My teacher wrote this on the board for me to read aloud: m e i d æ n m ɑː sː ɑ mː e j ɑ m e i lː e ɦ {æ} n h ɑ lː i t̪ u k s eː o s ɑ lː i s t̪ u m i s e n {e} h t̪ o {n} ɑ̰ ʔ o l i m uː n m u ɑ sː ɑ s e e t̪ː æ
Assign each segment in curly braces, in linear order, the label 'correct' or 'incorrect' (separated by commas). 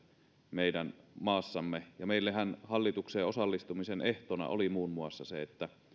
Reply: correct, correct, correct